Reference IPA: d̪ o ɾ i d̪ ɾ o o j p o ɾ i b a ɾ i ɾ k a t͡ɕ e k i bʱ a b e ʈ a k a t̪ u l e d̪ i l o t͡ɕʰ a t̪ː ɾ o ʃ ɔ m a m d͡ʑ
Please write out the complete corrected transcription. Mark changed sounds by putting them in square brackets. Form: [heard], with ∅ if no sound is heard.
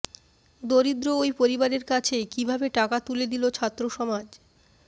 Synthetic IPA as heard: d̪ o ɾ i d̪ ɾ o o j p o ɾ i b a ɾ [e] ɾ k a [t͡ɕʰ] e k i bʱ a b e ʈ a k a t̪ u l e d̪ i l o t͡ɕʰ a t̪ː ɾ o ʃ ɔ m a [∅] d͡ʑ

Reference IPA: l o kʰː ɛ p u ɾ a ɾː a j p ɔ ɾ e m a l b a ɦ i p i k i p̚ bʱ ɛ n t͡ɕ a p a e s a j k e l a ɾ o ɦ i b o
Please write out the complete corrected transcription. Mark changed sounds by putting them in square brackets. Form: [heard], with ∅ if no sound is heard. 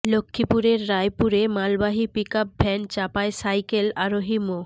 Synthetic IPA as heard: l o kʰː [i] p u ɾ [e] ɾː a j p [u] ɾ e m a l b a ɦ i p i k [a] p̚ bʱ ɛ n t͡ɕ a p a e s a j k e l a ɾ o ɦ i [m] o

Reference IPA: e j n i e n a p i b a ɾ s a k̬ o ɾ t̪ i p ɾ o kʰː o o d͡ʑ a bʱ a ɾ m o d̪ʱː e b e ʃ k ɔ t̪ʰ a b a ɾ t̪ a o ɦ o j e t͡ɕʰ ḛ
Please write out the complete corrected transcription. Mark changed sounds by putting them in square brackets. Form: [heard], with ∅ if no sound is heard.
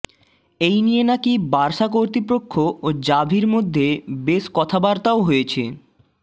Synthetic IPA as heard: e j n i e n a [k] i b a ɾ [ʃ] a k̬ o ɾ t̪ i p ɾ o kʰː o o d͡ʑ a bʱ [i] ɾ m o d̪ʱː e b e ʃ k ɔ t̪ʰ a b a ɾ t̪ a o ɦ o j e t͡ɕʰ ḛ

